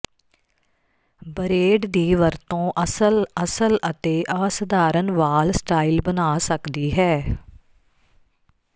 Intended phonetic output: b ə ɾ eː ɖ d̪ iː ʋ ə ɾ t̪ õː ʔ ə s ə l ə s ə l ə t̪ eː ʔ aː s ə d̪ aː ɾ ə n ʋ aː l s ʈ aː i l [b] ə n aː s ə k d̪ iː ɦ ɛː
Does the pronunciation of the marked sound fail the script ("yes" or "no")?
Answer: no